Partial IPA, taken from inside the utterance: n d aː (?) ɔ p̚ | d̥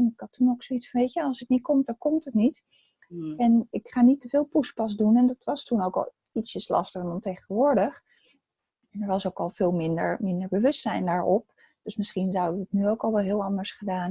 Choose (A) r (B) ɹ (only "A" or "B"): B